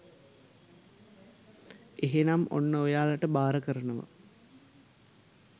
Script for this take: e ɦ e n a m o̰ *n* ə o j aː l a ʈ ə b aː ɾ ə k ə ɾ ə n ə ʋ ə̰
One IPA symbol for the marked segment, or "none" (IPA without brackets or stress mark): nː